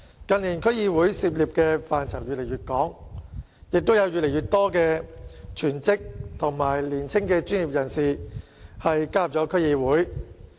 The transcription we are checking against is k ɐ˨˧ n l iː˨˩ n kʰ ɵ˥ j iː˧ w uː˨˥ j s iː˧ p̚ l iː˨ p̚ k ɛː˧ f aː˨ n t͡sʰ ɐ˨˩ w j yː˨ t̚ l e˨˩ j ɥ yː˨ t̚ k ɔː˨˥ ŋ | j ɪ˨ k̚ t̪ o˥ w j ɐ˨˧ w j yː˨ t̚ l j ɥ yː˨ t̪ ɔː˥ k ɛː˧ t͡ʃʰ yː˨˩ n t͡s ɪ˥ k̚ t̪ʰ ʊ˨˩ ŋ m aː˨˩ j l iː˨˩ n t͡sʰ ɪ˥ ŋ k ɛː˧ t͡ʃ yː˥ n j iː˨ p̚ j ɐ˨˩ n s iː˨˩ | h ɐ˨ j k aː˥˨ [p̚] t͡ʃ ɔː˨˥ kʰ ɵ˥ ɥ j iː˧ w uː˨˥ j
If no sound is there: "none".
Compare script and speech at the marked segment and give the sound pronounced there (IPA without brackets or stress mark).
p̚